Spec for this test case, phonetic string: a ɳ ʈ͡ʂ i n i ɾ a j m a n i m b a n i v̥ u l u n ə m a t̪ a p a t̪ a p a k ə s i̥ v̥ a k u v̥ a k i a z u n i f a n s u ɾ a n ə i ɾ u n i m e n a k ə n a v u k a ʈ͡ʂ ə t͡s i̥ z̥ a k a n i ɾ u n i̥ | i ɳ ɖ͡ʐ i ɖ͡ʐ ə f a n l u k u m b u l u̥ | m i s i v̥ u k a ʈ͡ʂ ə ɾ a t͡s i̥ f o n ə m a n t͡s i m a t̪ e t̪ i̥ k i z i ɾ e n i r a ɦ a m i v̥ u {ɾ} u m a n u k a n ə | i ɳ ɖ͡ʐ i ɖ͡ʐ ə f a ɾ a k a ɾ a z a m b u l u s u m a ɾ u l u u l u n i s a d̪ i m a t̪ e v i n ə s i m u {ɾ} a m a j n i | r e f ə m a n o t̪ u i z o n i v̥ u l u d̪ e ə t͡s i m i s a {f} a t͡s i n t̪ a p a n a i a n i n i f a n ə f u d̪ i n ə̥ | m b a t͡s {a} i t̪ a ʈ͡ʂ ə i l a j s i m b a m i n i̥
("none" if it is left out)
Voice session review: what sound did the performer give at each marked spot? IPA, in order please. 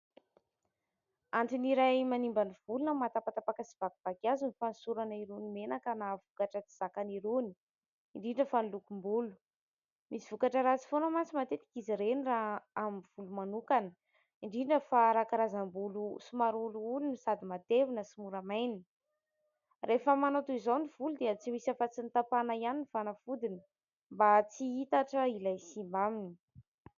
l, ɾ, f, i

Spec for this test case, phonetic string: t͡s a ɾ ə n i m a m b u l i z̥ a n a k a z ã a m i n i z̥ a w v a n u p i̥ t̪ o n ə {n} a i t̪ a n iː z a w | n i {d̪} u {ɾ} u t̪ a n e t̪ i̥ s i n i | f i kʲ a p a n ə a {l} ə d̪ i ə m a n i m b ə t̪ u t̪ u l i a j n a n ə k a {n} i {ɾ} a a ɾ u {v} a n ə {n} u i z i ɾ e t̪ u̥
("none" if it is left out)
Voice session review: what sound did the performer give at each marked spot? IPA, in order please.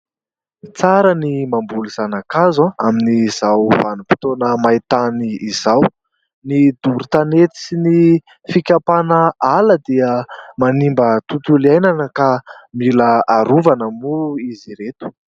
m, d̪, ɾ, l, m, l, v, m

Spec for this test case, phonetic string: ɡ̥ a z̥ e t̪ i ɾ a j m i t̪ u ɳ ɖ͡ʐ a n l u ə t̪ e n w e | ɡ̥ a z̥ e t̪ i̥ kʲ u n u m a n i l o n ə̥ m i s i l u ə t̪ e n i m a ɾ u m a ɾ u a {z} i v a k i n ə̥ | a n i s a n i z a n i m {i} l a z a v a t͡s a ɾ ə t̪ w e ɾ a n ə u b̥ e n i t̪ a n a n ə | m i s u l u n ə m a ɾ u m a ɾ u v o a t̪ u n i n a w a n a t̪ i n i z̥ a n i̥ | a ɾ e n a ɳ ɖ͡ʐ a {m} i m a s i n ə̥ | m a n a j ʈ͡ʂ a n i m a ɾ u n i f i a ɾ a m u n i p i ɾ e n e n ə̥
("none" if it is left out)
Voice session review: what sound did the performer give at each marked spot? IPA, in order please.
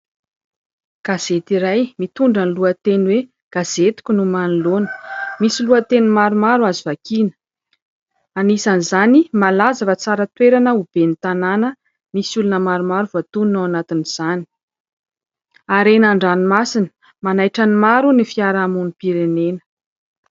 z, a, n

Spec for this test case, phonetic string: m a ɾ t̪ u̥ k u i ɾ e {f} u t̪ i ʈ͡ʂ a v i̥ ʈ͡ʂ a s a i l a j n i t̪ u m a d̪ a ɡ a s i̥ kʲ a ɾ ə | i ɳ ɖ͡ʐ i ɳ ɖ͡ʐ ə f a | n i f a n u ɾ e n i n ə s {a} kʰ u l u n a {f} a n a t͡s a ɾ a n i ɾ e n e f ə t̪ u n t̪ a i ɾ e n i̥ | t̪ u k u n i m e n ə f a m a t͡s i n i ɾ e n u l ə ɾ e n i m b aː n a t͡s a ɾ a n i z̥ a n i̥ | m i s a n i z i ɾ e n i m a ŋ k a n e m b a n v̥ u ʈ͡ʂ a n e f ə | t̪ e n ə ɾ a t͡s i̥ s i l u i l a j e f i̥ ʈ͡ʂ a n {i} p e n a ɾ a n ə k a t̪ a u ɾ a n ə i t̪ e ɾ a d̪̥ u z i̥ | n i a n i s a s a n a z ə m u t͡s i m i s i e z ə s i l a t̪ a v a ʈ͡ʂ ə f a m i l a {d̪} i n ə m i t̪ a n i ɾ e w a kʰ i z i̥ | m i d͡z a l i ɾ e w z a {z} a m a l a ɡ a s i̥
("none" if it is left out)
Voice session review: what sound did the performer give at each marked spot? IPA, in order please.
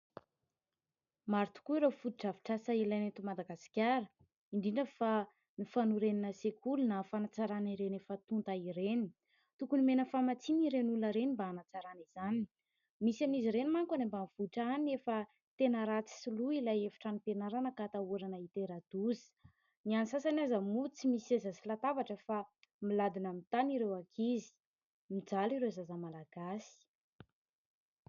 f, e, f, i, d̪, z

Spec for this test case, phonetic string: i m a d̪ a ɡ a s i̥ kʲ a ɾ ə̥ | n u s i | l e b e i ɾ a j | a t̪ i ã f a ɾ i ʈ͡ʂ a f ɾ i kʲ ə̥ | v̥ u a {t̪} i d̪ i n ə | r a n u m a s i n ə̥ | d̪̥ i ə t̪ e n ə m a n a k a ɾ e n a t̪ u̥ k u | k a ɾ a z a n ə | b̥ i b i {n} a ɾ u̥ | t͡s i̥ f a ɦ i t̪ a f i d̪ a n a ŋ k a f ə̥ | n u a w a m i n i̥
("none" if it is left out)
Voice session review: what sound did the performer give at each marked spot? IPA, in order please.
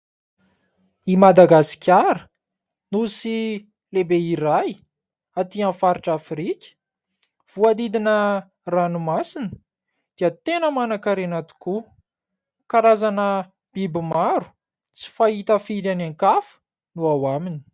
d̪, m

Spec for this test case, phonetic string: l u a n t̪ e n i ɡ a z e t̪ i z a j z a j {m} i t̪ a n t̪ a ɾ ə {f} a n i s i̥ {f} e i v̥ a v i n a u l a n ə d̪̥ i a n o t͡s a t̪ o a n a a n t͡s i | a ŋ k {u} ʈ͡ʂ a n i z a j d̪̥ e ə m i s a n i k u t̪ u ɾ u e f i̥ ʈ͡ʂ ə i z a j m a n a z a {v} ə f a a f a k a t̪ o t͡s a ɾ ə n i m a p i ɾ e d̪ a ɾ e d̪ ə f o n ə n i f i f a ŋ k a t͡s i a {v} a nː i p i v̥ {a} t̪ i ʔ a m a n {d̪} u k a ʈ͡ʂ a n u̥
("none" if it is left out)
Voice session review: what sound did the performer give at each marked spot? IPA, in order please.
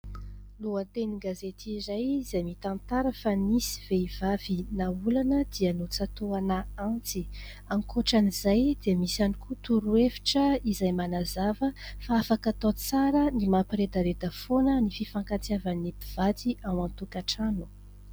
m, f, v, o, v, v, a, t̪

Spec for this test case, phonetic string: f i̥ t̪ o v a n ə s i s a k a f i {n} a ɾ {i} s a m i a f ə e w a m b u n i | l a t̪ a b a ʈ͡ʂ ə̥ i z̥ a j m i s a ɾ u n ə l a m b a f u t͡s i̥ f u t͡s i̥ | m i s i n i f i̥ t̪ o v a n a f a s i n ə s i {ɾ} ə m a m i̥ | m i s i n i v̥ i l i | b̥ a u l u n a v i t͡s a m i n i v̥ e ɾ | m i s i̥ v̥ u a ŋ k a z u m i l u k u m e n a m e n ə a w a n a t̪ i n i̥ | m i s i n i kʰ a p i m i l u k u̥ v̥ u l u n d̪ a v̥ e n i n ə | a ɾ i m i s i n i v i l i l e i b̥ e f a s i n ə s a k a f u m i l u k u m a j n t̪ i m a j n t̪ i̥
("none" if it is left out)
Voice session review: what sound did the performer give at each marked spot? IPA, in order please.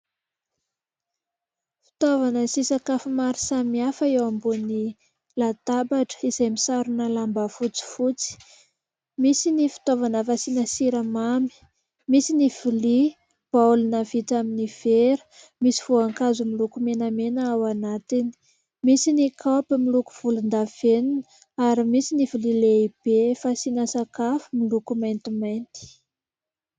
m, i, ɾ

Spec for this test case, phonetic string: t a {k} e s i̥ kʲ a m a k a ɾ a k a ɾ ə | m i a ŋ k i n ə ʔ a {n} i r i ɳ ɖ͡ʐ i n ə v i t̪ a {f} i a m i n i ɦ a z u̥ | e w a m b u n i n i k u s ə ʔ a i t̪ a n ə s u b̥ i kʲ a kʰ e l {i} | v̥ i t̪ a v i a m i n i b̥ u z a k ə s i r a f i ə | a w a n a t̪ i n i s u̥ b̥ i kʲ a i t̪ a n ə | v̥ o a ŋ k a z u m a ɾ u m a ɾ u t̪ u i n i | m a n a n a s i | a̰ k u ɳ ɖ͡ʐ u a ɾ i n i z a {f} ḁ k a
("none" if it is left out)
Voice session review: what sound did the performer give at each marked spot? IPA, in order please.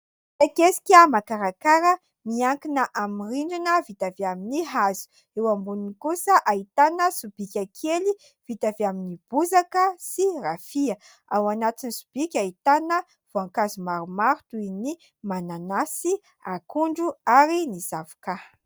k, m, v, i, v

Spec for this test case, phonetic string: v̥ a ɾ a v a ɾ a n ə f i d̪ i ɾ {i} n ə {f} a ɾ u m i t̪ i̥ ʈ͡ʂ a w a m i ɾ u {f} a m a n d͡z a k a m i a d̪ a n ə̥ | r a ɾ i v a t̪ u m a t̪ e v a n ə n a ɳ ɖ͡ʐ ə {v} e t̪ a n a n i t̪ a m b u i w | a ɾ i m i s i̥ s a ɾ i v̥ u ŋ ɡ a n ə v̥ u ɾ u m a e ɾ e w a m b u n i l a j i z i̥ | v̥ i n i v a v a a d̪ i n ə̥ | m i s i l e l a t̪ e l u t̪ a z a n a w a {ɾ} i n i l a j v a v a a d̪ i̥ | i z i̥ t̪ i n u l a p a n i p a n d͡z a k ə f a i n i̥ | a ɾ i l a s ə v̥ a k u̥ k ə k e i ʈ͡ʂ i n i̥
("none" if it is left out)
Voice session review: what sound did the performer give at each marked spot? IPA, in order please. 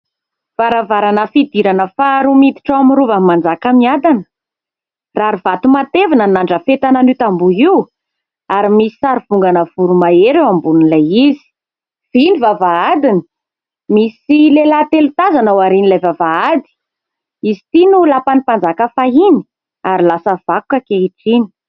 a, f, v, f, ɾ

